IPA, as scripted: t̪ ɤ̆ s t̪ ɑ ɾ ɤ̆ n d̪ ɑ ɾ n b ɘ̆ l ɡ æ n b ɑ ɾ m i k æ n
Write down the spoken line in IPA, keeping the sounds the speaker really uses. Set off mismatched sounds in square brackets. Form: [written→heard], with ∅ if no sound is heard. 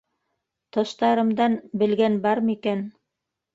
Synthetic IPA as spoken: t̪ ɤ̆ [s→ʃ] t̪ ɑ ɾ ɤ̆ [n→m] d̪ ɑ [ɾ→∅] n b ɘ̆ l ɡ æ n b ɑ ɾ m i k æ n